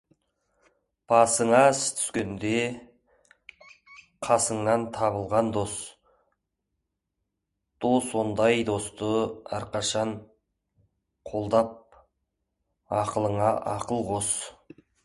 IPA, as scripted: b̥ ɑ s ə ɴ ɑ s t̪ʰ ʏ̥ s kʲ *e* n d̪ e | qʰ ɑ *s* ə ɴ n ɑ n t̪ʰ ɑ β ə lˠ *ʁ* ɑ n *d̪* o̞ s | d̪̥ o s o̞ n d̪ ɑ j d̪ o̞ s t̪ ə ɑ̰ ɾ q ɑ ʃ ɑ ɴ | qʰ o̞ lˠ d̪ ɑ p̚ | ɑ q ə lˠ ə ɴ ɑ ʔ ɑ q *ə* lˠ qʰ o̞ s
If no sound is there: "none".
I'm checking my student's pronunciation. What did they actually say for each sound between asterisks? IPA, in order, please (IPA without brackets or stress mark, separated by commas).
e, s, ʁ, d̪, ə